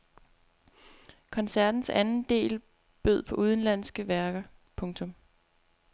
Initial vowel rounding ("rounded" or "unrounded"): rounded